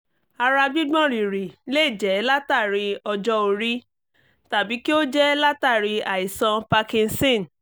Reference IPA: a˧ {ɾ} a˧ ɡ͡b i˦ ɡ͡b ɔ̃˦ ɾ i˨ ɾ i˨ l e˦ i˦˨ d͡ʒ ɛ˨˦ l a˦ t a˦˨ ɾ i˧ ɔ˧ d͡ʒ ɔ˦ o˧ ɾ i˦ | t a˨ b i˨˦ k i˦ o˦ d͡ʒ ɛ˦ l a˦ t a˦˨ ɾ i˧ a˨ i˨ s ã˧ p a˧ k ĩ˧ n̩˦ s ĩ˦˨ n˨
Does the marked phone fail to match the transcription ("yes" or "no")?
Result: no